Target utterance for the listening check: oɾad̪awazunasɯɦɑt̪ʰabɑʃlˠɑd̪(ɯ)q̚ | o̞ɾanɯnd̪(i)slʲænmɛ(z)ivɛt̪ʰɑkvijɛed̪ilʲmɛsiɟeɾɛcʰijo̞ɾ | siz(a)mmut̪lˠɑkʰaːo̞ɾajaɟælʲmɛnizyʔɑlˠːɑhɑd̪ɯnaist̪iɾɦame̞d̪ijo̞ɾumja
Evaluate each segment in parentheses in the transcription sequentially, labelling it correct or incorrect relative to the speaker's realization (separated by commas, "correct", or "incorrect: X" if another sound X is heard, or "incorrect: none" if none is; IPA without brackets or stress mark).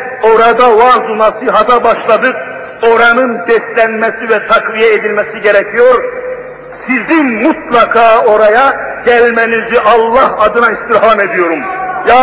correct, incorrect: ɛ, incorrect: s, incorrect: i